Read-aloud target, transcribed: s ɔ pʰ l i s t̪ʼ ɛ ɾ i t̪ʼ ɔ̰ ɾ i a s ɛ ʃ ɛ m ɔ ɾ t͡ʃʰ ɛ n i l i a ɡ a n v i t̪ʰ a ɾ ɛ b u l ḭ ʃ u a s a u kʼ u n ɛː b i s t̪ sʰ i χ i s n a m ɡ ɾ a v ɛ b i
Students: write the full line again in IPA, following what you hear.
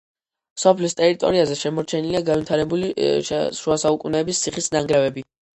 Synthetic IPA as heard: s ɔ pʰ l i s t̪ʼ ɛ ɾ i t̪ʼ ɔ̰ ɾ i a z ɛ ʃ ɛ m ɔ ɾ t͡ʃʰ ɛ n i l i a ɡ a n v i t̪ʰ a ɾ ɛ b u l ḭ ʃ u a s a u kʼ u n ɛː b i s t̪ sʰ i χ i s n a ŋ ɡ ɾ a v ɛ b i